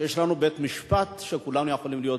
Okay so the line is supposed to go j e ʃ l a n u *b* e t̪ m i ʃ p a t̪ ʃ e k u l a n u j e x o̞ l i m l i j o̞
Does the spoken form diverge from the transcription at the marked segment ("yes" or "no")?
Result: no